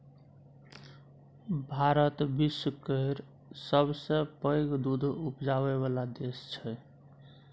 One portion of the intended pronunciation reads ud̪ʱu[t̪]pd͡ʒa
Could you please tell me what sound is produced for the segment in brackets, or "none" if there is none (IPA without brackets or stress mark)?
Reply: none